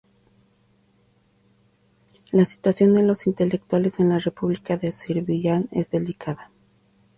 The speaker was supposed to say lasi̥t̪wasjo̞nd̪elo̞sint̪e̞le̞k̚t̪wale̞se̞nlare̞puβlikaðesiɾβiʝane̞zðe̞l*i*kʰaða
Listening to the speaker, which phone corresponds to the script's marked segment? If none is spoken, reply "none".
i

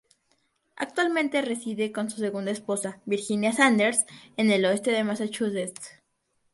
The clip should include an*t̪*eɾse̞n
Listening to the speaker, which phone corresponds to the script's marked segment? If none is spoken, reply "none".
d̪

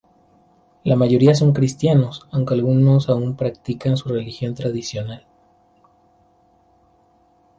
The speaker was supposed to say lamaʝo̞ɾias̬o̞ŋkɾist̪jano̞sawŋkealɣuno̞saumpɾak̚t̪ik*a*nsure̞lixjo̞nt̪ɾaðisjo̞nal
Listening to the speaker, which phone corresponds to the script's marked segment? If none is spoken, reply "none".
a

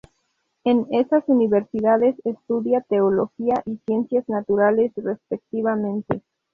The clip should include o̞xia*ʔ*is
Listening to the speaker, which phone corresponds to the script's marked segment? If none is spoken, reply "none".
ʔ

